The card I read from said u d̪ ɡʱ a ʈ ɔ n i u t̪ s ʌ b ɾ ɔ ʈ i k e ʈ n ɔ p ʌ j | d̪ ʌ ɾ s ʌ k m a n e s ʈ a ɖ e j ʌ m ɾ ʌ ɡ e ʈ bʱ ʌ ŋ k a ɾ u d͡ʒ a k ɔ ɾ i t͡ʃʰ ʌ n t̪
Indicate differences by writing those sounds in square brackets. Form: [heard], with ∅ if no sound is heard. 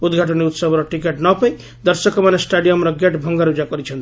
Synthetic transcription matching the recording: u d̪ ɡʱ a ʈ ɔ n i u t̪ s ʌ b ɾ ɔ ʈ i k e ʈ n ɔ p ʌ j | d̪ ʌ ɾ s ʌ k m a n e s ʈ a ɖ [i] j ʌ m ɾ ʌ ɡ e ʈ bʱ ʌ ŋ [ɡ] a ɾ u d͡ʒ a k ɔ ɾ i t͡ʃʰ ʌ n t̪